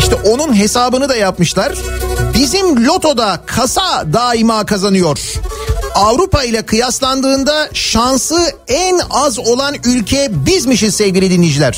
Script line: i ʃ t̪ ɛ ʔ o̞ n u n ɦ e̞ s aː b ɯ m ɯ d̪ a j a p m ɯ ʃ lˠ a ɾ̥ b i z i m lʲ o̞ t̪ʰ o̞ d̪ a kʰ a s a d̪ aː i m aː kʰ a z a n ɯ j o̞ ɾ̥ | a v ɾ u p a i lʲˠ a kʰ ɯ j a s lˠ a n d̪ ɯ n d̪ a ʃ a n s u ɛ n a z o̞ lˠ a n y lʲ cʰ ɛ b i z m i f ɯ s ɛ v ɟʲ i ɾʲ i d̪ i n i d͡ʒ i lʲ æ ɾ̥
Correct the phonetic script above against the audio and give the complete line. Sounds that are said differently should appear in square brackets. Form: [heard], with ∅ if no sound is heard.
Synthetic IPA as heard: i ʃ t̪ ɛ ʔ o̞ n u n ɦ e̞ s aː b ɯ [n] ɯ d̪ a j a p m ɯ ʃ lˠ a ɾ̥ b i z i m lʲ o̞ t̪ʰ o̞ d̪ a kʰ a s a d̪ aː i m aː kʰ a z a n ɯ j o̞ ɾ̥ | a v ɾ u p a i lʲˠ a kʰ ɯ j a s lˠ a n d̪ [ɯː] n d̪ a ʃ a n s [ɯ] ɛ n a z o̞ lˠ a n y lʲ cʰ ɛ b i z m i [ʃ] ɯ s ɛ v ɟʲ i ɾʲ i d̪ i n i d͡ʒ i lʲ æ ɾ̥